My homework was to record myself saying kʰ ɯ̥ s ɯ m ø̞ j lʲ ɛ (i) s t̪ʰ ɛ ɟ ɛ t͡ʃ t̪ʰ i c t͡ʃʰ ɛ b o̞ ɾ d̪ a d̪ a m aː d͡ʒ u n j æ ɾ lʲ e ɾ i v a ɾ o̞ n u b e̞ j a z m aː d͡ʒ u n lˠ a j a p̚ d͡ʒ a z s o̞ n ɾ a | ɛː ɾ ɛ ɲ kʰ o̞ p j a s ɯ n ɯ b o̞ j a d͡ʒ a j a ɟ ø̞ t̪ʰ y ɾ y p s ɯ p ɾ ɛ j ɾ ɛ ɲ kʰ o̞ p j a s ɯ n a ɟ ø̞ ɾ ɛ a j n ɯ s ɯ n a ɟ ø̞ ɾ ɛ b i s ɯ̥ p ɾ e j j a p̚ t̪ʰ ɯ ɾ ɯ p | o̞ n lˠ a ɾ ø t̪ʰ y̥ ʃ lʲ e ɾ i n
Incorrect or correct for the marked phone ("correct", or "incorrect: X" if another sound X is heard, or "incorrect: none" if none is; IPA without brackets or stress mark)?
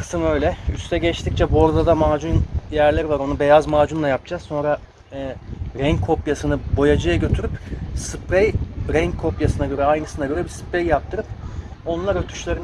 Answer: incorrect: y